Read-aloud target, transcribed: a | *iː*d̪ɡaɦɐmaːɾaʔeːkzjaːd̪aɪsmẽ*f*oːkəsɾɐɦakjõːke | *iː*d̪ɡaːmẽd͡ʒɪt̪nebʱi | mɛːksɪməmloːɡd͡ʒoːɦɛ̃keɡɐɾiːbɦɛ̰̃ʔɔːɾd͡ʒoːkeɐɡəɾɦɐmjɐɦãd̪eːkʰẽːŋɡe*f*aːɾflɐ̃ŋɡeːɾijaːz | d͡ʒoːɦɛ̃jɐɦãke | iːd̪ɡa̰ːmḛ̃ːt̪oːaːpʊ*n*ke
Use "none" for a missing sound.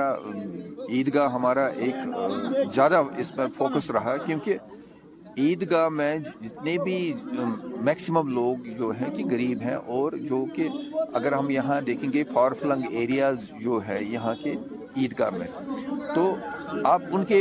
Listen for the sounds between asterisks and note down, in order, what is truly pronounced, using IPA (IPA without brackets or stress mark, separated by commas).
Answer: iː, f, iː, f, n